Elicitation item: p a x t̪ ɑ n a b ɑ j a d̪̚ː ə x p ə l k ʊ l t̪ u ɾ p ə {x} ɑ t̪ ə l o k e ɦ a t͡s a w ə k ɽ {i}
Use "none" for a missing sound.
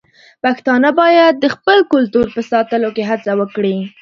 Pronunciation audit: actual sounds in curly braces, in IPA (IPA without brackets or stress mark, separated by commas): s, i